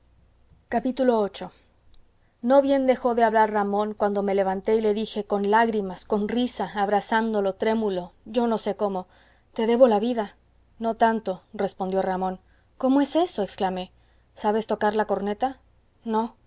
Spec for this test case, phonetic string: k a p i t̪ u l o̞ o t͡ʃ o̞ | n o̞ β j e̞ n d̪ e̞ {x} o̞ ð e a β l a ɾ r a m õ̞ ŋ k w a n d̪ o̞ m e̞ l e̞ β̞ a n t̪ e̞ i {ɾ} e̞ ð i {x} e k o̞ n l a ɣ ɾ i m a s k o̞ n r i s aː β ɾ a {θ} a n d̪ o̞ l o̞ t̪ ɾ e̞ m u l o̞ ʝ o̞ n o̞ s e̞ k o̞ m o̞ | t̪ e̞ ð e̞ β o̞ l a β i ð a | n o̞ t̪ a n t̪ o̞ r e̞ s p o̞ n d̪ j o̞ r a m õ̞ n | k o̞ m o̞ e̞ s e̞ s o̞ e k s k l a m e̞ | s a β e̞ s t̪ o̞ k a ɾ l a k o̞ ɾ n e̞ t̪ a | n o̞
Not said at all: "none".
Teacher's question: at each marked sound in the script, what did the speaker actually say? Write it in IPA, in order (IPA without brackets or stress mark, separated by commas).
x, l, x, s